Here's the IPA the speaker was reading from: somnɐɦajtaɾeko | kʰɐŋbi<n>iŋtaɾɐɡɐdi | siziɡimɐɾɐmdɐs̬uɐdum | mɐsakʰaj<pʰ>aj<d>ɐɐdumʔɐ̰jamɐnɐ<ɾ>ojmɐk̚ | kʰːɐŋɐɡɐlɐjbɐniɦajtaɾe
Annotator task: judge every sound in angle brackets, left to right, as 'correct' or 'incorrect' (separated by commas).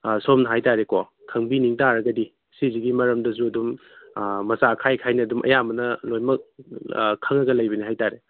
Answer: correct, incorrect, incorrect, incorrect